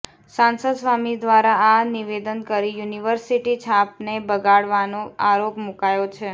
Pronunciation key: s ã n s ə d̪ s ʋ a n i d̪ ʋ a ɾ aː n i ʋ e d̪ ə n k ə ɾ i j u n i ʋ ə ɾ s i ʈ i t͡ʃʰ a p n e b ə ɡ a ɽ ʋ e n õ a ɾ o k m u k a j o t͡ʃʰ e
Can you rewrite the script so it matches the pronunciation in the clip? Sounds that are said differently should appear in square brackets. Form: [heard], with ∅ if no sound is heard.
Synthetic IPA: s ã n s ə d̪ s ʋ a [m] i d̪ ʋ a ɾ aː n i ʋ e d̪ ə n k ə ɾ i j u n i ʋ ə ɾ s i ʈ i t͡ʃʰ a p n e b ə ɡ a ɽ ʋ [a] n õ a ɾ o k m u k a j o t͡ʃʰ e